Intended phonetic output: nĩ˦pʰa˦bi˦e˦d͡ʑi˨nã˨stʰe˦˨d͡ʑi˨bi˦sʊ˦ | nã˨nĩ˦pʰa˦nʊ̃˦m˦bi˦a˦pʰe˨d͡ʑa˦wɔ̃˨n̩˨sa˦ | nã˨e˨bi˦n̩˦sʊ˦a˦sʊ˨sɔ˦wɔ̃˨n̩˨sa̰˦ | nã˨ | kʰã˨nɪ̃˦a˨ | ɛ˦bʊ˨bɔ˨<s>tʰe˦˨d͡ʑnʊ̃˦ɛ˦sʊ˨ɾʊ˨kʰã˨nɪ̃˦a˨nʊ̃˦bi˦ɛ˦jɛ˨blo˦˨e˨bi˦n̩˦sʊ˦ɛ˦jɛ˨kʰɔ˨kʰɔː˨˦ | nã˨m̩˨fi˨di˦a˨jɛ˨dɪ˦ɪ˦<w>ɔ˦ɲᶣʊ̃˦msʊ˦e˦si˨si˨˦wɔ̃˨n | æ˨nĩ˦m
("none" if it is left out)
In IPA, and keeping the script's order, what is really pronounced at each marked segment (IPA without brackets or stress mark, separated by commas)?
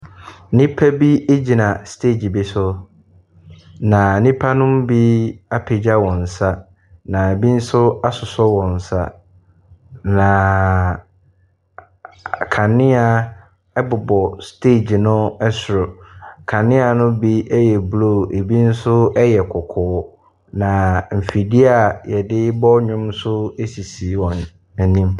s, b